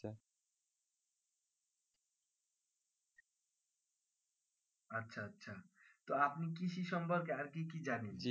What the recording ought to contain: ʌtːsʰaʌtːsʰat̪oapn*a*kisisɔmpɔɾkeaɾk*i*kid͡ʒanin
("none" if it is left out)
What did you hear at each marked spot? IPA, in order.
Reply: i, i

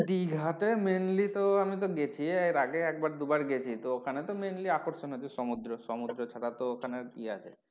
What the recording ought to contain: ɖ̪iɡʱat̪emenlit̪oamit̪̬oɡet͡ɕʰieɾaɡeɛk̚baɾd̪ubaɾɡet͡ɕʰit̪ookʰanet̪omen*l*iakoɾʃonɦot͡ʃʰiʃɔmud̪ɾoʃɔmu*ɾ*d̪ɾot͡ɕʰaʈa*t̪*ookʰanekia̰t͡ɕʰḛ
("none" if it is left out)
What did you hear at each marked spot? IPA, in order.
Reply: l, none, t̪

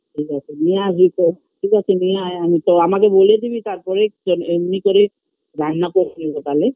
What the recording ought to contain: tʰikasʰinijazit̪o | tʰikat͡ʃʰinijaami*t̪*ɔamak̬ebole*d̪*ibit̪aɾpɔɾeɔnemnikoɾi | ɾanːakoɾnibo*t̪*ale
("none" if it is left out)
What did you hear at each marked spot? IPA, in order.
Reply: t̪, d̪, t̪

